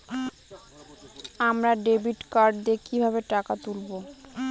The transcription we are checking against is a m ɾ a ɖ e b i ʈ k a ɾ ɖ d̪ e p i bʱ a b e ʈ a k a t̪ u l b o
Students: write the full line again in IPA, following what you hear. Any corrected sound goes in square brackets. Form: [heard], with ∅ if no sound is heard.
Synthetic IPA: a m ɾ a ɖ e b i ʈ k a ɾ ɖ d̪ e [k] i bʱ a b e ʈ a k a t̪ u l b o